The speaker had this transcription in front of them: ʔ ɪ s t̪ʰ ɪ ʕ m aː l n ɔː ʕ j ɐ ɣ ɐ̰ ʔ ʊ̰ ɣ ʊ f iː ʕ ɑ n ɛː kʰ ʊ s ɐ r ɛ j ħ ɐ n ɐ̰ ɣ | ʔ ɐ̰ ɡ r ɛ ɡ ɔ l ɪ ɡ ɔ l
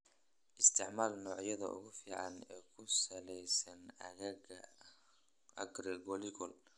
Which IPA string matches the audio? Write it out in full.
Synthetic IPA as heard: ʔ ɪ s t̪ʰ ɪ ʕ m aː l n ɔː ʕ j ɐ ð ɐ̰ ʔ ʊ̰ ɣ ʊ f iː ʕ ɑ n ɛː kʰ ʊ s ɐ l ɛ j s ɐ n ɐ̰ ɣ | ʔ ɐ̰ ɡ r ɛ ɡ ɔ l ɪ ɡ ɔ l

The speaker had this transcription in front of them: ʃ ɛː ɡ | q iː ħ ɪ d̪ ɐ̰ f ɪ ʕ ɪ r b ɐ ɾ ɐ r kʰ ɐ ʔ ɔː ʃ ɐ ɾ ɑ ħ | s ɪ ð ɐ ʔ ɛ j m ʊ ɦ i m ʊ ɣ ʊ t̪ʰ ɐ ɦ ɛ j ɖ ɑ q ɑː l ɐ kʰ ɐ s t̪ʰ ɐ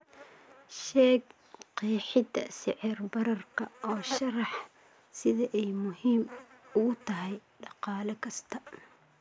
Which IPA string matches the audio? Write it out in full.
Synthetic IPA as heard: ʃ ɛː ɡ | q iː ħ ɪ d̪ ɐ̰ s ɪ ʕ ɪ r b ɐ ɾ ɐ r kʰ ɐ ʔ ɔː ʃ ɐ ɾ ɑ ħ | s ɪ ð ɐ ʔ ɛ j m ʊ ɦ iː m ʊ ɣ ʊ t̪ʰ ɐ ɦ ɛ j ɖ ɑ q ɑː l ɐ kʰ ɐ s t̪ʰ ɐ

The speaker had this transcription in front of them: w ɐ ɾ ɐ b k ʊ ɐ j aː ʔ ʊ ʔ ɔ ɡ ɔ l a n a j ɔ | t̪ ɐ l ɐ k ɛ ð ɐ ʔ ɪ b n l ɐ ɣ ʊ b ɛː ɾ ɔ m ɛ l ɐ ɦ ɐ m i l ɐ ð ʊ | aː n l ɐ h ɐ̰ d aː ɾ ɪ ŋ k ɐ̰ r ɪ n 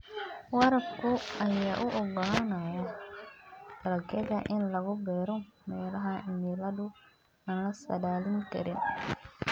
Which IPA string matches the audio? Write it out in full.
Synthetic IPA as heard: w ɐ ɾ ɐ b k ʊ ɐ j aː ʔ ʊ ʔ ɔ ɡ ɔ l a n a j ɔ | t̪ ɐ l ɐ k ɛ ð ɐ ʔ ɪ n l ɐ ɣ ʊ b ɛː ɾ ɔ m ɛː l ɐ ɦ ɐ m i l ɐ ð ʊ | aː n l ɐ s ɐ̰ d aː l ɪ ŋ k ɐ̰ ɾ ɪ n

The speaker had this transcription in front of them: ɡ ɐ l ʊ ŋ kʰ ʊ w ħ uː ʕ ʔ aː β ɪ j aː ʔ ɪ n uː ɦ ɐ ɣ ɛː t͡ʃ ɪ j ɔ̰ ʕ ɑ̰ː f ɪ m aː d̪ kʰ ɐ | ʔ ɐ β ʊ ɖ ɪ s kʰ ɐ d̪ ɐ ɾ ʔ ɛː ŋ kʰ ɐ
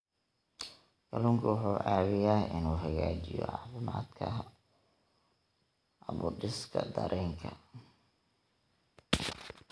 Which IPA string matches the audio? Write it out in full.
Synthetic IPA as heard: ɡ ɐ l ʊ ŋ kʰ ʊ w ħ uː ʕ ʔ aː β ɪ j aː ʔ ɪ n uː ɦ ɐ ɣ aː t͡ʃ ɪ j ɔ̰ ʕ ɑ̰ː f ɪ m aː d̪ kʰ ɐ | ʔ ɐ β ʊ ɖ ɪ s kʰ ɐ d̪ ɐ ɾ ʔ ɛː ŋ kʰ ɐ

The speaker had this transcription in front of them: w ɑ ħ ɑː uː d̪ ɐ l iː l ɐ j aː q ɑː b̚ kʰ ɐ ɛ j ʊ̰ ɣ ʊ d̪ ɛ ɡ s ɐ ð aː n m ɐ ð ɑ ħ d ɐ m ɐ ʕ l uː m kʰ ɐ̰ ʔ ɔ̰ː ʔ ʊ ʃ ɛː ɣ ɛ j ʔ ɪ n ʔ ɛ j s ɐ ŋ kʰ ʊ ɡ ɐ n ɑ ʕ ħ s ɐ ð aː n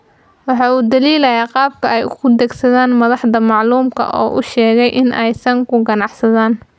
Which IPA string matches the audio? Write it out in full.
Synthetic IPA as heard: w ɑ ħ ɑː uː d̪ ɐ l iː l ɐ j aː q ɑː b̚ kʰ ɐ ɛ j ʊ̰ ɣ ʊ d̪ ɛ ɡ s ɐ ð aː n m ɐ ð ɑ ħ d ɐ m ɑ ʕ l uː m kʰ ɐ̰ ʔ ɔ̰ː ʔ ʊ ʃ ɛː ɣ ɛ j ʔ ɪ n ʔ ɛ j s ɐ ŋ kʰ ʊ ɡ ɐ n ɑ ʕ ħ s ɐ ð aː n

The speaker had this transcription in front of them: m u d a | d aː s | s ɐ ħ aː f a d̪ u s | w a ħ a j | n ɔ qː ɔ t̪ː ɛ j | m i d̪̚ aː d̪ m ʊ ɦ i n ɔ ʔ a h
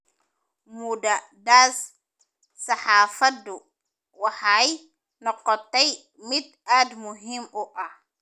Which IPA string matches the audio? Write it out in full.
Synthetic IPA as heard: m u d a | d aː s | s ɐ ħ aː f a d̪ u | w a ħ a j | n ɔ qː ɔ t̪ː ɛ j | m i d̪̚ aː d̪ m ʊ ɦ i m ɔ ʔ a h

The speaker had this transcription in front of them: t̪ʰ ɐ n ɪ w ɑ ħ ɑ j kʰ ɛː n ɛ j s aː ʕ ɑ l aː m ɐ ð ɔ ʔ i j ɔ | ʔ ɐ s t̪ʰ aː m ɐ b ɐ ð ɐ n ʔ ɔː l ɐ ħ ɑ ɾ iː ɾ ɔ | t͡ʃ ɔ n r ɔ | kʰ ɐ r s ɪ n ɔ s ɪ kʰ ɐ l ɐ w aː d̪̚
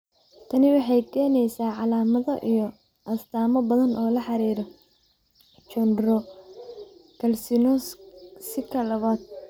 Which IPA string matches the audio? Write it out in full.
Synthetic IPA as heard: t̪ʰ ɐ n ɪ w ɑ ħ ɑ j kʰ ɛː n ɛ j s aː ʕ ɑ l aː m ɐ ð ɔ ʔ i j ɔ | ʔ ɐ s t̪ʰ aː m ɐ b ɐ ð ɐ n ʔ ɔː l ɐ ħ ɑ ɾ iː ɾ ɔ | t͡ʃ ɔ n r ɔ | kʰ ɐ l s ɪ n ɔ s ɪ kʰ ɐ l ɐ β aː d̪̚

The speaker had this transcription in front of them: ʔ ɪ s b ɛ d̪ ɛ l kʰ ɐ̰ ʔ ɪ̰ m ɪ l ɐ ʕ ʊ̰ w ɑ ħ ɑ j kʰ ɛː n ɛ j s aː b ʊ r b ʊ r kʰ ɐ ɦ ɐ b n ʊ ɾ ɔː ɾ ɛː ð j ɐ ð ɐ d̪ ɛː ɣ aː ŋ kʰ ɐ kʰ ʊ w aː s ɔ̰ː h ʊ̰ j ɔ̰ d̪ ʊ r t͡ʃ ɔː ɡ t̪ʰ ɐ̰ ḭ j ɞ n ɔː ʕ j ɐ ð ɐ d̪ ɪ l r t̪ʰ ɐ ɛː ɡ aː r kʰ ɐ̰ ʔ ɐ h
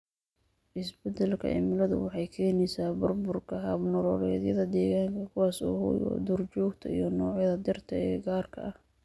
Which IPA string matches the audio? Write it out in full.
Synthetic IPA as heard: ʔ ɪ s b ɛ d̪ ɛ l kʰ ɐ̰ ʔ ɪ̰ m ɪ l ɐ ð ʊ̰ w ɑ ħ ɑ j kʰ ɛː n ɛ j s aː b ʊ r b ʊ r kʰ ɐ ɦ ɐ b n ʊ ɾ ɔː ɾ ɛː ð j ɐ ð ɐ d̪ ɛː ɣ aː ŋ kʰ ɐ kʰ ʊ w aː s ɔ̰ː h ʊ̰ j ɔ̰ d̪ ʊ r t͡ʃ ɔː ɡ t̪ʰ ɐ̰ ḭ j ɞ n ɔː ʕ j ɐ ð ɐ d̪ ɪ r t̪ʰ ɐ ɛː ɡ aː r kʰ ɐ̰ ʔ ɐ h

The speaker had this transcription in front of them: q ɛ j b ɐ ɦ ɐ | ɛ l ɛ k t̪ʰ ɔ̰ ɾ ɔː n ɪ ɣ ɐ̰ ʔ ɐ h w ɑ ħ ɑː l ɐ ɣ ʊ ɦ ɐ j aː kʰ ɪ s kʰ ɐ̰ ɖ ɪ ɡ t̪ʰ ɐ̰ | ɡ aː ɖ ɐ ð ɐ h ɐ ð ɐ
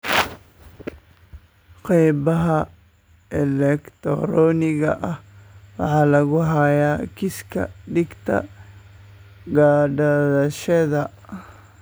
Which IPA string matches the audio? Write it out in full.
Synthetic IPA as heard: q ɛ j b ɐ ɦ ɐ | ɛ l ɛ k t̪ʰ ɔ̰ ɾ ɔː n ɪ ɣ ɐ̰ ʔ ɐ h w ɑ ħ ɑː l ɐ ɣ ʊ ɦ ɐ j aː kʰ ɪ s kʰ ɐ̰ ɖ ɪ ɡ t̪ʰ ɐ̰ | ɡ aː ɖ ɐ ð ɐ ʃ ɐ ð ɐ

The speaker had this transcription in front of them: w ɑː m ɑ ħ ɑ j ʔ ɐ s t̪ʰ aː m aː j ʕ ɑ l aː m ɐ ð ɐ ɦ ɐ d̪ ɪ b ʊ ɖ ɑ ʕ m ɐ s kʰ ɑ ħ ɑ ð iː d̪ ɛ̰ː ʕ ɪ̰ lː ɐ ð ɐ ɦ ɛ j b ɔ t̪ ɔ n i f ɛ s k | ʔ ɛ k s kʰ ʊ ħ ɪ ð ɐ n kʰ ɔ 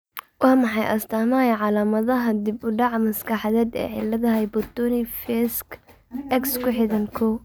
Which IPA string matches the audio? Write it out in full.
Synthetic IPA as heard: w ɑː m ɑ ħ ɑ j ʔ ɐ s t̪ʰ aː m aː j ʕ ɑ l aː m ɐ ð ɐ ɦ ɐ d̪ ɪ b ʊ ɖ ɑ ʕ m ɐ s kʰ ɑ ħ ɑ ð ɛː d̪ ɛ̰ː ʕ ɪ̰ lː ɐ ð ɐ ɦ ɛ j b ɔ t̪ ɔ n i f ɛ s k | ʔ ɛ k s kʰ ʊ ħ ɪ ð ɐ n kʰ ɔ

